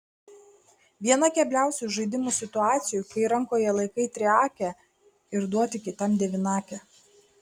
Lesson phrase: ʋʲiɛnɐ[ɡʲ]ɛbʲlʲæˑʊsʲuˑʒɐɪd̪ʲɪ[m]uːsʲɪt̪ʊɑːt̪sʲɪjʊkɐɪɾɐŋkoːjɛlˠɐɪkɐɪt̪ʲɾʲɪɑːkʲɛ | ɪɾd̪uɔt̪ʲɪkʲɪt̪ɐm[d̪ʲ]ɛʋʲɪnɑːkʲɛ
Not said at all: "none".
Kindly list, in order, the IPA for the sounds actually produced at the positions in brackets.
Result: kʲ, m, d̪ʲ

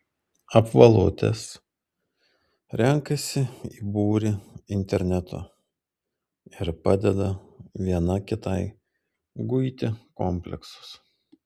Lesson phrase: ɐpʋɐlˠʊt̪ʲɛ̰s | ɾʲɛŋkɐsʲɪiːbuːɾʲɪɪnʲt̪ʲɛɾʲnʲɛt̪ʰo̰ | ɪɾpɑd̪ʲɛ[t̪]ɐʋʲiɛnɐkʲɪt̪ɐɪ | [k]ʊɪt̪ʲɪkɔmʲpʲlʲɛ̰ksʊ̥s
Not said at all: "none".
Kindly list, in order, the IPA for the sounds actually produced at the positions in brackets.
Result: d̪, ɡ

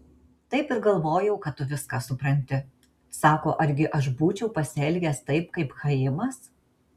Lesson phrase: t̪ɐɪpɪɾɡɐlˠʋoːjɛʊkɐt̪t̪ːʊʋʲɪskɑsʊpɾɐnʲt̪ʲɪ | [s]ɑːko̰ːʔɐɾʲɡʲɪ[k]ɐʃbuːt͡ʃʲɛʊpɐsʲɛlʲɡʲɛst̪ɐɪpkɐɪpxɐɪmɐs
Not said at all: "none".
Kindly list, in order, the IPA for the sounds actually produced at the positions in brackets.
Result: s, ʔ

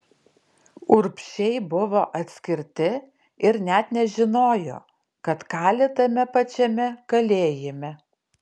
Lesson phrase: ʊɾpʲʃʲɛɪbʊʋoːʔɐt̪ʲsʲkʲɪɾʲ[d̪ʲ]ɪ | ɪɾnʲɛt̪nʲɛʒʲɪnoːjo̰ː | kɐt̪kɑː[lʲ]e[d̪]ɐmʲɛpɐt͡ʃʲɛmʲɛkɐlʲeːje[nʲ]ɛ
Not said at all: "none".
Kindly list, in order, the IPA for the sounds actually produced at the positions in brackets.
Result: t̪ʲ, lʲ, t̪, mʲ

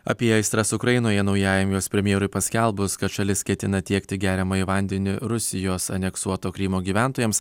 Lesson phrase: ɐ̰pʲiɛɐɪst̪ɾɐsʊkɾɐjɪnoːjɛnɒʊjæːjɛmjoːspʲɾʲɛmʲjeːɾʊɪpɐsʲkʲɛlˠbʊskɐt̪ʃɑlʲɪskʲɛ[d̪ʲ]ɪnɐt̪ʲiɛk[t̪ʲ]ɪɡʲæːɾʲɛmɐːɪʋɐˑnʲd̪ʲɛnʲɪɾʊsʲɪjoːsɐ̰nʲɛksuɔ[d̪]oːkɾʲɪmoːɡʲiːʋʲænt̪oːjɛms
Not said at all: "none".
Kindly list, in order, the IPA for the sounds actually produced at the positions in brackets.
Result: t̪ʲ, t̪ʲ, t̪

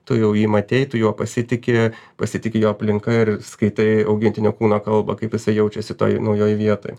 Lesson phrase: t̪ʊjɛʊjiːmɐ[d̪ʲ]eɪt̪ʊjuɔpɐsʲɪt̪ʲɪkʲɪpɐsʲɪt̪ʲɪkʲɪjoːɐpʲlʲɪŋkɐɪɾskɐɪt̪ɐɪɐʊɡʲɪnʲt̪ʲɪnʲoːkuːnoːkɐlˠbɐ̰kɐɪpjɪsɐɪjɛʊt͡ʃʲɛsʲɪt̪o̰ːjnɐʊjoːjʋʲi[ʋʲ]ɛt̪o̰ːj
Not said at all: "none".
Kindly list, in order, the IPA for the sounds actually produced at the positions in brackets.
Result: t̪ʲ, none

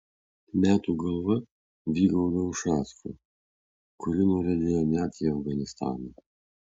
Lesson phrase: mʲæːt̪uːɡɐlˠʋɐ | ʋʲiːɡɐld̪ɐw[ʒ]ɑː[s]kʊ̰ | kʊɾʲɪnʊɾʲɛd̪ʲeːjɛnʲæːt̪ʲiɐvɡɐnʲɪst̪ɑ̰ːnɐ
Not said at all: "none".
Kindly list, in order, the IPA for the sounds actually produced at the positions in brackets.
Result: ʃ, s

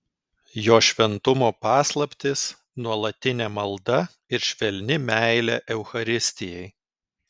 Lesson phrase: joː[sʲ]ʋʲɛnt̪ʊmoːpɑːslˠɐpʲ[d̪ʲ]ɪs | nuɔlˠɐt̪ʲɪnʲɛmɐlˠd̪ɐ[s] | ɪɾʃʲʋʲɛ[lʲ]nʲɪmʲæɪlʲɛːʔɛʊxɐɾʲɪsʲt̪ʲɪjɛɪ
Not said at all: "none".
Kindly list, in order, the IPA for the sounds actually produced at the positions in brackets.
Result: ʃʲ, t̪ʲ, none, lʲ

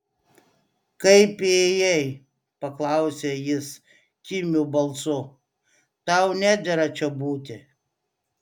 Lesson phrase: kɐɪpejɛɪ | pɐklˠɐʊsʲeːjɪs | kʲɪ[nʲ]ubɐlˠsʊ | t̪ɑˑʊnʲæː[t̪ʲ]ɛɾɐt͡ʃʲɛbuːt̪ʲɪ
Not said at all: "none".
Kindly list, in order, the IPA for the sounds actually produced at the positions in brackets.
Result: mʲ, d̪ʲ

